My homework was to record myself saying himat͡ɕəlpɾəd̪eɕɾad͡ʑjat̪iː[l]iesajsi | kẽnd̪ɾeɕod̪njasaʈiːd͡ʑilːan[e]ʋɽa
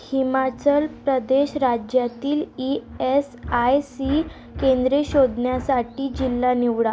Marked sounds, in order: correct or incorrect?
correct, incorrect

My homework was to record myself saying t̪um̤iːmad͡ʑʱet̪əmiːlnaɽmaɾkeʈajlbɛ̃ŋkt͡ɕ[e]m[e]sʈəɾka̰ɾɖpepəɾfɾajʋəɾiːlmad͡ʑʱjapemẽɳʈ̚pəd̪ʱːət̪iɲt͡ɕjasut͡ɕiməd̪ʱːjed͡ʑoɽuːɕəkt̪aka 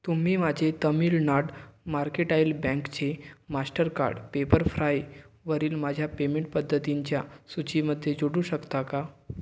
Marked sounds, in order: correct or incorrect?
correct, incorrect

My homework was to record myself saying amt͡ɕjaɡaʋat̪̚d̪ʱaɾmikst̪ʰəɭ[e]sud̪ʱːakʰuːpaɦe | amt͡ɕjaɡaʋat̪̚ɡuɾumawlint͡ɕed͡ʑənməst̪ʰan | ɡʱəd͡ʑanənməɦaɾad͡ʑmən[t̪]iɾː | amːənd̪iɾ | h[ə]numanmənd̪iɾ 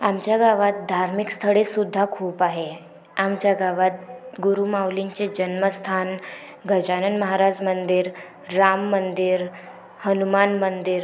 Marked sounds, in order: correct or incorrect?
correct, incorrect, correct

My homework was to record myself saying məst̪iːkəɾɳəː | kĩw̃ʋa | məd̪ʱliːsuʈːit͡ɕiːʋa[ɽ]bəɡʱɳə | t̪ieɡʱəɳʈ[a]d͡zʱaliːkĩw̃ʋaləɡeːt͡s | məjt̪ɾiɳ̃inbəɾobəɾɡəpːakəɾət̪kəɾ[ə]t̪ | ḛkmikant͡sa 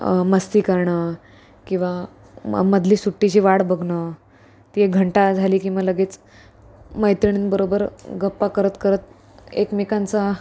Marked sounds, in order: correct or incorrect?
correct, correct, correct

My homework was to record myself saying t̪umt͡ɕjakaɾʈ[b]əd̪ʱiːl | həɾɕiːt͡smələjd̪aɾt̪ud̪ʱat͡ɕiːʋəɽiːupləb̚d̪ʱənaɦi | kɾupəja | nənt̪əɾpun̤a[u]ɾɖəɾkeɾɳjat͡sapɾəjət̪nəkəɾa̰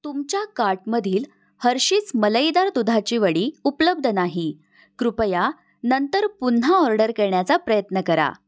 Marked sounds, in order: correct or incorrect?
incorrect, incorrect

